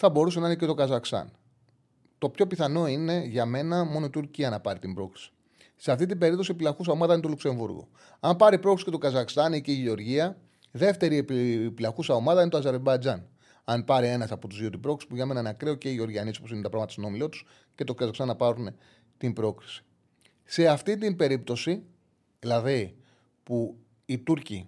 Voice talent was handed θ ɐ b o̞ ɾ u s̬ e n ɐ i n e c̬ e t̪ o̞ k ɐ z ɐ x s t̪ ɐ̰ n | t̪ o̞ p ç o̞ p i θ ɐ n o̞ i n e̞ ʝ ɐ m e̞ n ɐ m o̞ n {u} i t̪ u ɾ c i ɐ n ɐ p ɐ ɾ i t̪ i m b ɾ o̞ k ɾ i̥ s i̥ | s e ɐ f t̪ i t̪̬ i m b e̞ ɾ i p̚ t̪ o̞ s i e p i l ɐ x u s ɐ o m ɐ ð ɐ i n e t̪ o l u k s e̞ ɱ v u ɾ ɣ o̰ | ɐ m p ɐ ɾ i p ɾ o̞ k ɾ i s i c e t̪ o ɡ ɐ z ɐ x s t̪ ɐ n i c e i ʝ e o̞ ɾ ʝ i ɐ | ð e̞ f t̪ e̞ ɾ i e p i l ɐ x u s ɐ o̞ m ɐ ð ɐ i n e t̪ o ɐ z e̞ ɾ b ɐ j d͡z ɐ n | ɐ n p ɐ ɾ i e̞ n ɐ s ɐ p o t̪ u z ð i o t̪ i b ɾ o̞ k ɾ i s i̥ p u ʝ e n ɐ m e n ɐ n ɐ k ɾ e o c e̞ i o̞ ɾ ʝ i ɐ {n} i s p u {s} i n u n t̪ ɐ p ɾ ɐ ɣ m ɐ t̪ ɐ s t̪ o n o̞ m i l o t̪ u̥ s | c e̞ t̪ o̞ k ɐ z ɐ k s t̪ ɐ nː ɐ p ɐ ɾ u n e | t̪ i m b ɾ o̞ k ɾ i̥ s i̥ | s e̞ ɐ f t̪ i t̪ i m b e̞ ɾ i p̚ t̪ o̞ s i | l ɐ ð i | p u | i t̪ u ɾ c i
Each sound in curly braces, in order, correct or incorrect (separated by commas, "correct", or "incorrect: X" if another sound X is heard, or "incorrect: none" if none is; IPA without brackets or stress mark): incorrect: o, correct, correct